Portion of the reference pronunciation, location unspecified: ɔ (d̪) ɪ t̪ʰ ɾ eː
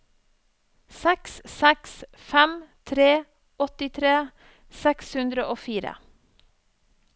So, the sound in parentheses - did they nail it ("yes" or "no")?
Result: no